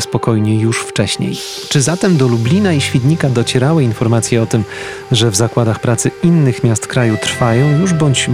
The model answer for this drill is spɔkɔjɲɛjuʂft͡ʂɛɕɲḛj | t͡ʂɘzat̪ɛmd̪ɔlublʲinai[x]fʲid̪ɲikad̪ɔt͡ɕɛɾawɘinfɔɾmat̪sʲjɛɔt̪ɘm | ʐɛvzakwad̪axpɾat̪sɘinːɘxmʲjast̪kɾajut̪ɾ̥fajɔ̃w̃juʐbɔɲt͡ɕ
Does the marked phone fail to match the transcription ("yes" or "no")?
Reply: yes